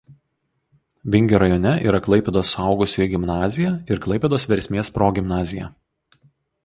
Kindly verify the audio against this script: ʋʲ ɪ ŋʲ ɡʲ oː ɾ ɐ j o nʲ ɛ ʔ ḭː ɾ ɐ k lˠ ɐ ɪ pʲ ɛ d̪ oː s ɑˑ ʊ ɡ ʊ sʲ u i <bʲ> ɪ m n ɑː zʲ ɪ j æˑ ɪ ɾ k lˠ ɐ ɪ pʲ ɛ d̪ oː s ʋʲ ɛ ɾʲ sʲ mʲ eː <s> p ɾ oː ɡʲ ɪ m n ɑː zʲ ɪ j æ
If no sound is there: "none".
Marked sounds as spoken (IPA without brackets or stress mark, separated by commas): ɡʲ, s